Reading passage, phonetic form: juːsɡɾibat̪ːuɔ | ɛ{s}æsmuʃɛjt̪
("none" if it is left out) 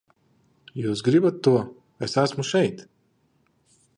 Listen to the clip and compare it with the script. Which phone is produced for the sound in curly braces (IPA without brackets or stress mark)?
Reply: s